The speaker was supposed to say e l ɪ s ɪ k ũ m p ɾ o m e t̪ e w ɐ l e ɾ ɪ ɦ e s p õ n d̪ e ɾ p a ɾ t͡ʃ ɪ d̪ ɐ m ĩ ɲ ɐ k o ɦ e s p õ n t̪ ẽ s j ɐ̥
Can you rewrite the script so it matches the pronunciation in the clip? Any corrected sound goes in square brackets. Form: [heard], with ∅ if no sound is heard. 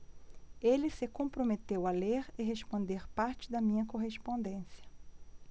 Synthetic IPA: e l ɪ s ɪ k [õ] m p ɾ o m e t̪ e w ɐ l e ɾ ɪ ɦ e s p õ n d̪ e ɾ p a ɾ t͡ʃ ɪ d̪ ɐ m ĩ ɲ ɐ k o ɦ e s p õ n [d̪] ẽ s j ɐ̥